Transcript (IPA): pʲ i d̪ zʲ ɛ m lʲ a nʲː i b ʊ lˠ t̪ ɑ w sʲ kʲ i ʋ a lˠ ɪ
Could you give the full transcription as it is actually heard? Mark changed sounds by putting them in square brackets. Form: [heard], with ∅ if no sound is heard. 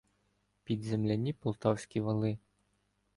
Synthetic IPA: pʲ i d̪ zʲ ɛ m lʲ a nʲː i [p] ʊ lˠ t̪ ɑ w sʲ kʲ i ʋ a lˠ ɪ